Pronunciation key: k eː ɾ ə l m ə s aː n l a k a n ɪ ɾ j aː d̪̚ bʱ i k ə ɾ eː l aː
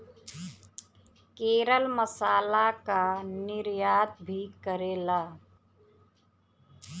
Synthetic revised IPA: k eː ɾ ə l m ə s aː l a k a n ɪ ɾ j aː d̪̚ bʱ i k ə ɾ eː l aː